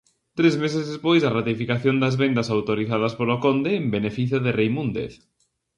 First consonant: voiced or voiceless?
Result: voiceless